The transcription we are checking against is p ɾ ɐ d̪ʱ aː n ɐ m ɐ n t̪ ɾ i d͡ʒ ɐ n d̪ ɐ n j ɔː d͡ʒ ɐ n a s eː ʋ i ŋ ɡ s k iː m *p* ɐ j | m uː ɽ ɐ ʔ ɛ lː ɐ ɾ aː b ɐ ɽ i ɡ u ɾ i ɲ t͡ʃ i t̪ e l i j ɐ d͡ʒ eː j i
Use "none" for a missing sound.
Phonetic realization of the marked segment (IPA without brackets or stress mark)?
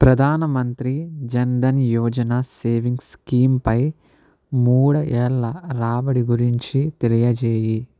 p